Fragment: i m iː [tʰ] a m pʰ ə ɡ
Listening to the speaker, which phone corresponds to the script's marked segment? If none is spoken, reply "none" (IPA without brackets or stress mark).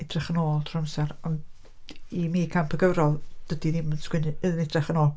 kʰ